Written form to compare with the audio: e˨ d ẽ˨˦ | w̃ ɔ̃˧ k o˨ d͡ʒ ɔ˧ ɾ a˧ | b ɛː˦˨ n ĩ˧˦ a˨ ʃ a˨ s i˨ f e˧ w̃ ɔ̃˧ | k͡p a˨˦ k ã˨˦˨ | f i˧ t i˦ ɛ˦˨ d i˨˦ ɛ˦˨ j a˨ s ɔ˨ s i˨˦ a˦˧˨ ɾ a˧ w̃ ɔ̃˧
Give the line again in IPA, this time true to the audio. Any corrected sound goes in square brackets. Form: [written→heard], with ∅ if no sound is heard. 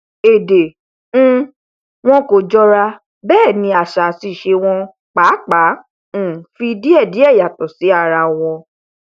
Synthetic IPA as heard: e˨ d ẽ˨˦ | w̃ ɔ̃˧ k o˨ d͡ʒ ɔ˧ ɾ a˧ | b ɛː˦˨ n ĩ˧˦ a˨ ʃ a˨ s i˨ [f→ʃ] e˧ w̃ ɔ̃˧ | k͡p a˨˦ [k→k͡p] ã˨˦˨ | f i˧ [t→d] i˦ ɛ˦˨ d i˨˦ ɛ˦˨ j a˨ [s→t] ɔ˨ s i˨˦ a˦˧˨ ɾ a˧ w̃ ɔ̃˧